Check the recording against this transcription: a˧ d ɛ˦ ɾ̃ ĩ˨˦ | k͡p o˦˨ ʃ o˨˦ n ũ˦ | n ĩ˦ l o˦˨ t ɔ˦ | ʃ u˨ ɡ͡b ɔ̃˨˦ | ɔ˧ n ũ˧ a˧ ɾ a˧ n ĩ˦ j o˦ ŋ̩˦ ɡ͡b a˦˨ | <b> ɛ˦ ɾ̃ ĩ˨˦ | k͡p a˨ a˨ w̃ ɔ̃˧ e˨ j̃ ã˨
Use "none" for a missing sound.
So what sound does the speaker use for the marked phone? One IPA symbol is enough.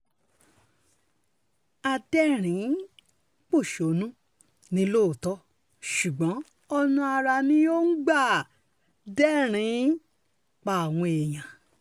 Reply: d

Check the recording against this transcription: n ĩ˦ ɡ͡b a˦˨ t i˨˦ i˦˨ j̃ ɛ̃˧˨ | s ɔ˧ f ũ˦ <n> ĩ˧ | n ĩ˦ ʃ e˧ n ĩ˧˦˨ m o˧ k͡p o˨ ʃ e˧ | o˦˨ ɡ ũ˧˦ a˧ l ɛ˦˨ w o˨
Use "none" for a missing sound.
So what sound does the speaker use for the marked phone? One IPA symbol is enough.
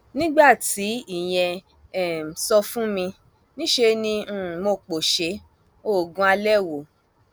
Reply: m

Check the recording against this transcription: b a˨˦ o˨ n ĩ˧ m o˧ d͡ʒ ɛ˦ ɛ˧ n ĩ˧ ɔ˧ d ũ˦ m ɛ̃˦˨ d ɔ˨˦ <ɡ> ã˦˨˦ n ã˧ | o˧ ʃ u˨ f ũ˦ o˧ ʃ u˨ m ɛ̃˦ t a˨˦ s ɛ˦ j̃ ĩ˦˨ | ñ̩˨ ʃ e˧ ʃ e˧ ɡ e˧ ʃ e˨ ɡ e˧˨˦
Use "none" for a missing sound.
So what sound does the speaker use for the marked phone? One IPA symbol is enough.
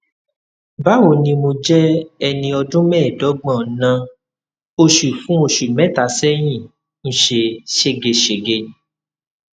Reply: ɡ͡b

